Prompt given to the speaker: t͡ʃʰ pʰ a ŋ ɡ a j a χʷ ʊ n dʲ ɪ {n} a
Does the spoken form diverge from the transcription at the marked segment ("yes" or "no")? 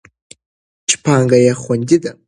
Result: yes